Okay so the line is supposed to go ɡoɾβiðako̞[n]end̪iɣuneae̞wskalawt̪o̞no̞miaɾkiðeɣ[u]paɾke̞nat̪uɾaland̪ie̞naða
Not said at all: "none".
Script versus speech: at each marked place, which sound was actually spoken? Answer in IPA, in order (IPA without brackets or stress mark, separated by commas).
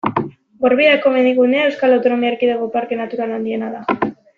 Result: m, o